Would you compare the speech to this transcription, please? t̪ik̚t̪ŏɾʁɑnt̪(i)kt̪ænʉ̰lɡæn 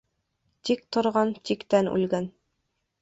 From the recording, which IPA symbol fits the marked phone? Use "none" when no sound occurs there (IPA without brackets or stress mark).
i